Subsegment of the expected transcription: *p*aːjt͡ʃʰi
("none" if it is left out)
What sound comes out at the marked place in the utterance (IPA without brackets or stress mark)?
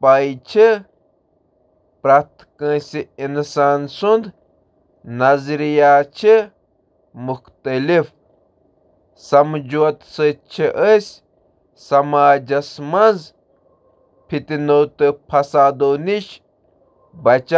p